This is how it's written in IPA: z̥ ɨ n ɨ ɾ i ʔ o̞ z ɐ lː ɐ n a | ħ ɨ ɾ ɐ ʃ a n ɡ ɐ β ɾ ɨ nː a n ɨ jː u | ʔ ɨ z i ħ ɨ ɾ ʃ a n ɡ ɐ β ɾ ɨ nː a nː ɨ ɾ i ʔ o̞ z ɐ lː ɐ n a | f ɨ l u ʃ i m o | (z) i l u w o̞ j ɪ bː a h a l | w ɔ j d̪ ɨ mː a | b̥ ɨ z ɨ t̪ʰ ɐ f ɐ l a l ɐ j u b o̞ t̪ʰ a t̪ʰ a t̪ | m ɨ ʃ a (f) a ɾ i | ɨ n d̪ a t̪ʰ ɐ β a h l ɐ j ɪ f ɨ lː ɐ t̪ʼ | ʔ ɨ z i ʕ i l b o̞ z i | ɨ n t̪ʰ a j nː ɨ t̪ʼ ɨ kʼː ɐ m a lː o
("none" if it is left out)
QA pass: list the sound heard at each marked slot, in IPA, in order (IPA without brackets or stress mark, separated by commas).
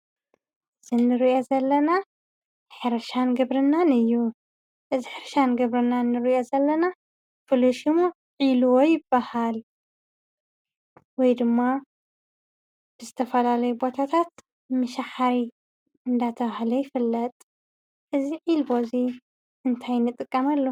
ʕ, ħ